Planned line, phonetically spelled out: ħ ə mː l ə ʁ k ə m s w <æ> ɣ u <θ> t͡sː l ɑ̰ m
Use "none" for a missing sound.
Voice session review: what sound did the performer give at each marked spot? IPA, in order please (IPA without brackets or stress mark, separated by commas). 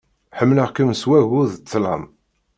æ, ð